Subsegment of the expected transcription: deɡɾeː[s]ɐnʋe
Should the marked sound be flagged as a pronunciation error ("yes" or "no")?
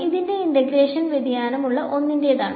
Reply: yes